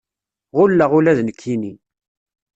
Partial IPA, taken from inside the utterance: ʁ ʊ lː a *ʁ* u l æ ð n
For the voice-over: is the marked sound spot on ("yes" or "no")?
yes